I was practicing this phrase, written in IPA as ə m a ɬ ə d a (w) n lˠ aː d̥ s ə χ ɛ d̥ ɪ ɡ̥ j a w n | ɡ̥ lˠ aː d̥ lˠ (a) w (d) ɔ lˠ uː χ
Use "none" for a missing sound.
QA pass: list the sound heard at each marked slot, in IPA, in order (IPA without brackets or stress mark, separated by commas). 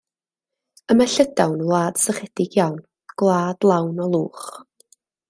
w, a, n